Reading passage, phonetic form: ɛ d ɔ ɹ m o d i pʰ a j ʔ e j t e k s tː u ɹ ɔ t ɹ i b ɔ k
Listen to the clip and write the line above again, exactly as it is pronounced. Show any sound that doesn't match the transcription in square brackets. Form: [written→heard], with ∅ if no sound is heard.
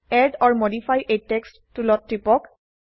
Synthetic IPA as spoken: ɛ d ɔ ɹ m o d i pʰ a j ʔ e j t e k s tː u [ɹ→l] ɔ t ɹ i [b→p] ɔ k